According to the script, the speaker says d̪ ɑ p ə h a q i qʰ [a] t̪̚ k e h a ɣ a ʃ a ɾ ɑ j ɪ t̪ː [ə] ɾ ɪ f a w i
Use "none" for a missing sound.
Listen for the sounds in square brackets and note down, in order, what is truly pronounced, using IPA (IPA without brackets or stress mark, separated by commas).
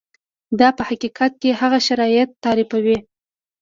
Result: a, ɑ